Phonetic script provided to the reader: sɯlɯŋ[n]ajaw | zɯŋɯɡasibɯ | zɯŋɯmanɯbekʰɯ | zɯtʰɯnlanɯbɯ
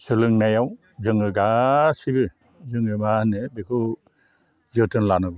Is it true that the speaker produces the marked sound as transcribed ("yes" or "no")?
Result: yes